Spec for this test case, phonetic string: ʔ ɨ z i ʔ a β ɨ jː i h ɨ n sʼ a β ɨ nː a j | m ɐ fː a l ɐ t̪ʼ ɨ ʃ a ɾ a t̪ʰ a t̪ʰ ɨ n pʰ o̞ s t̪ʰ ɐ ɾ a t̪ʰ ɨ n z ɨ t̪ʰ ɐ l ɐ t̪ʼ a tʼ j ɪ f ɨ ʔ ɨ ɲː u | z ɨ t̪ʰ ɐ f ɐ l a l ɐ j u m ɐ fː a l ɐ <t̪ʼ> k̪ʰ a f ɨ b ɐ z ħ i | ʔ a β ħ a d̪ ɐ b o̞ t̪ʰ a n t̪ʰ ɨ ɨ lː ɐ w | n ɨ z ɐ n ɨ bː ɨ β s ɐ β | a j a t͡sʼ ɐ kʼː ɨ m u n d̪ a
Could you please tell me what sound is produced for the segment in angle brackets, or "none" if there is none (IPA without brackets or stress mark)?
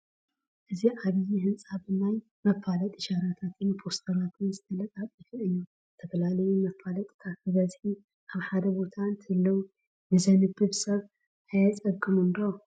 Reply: t̪ʼ